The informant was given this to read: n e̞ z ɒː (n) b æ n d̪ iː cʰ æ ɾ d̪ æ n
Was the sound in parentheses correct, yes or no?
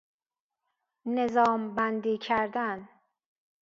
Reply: no